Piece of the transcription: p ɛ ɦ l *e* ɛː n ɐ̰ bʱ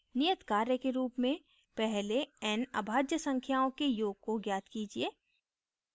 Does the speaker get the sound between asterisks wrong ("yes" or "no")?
no